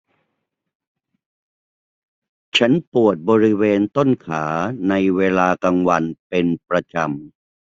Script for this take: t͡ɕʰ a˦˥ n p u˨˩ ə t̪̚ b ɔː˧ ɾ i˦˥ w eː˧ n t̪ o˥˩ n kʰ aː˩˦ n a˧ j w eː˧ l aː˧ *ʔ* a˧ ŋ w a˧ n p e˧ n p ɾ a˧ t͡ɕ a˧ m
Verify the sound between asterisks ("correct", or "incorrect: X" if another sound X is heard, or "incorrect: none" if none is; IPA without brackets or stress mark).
incorrect: k